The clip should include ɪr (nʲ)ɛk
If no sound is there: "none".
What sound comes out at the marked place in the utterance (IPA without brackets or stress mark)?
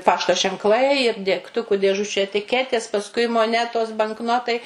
dʲ